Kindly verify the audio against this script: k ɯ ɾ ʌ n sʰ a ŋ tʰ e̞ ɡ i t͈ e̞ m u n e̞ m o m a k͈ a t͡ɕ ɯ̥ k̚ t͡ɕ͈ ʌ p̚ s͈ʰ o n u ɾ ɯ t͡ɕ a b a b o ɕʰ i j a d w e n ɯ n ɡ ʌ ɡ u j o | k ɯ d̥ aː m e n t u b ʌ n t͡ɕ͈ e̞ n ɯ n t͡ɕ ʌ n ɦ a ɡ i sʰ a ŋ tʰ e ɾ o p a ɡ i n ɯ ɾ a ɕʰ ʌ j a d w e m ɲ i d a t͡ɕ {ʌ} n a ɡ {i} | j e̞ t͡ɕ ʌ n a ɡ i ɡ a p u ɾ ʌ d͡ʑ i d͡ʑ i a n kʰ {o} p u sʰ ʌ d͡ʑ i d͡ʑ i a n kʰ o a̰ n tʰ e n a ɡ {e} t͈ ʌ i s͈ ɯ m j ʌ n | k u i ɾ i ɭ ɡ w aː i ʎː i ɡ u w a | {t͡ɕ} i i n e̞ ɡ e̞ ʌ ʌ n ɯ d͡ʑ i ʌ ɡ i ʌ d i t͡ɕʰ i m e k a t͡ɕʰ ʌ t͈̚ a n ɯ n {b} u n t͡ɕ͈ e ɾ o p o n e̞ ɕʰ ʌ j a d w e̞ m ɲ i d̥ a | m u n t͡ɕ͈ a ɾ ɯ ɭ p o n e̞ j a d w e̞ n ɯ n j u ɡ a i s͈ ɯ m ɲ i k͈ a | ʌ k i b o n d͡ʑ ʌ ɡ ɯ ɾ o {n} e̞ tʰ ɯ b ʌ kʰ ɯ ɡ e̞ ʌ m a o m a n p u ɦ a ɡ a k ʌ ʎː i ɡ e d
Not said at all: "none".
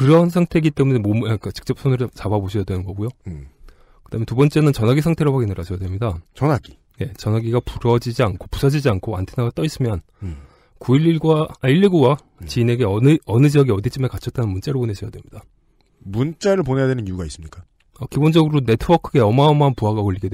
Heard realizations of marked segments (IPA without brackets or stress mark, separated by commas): ʌ, i, o, a, t͡ɕ, m, n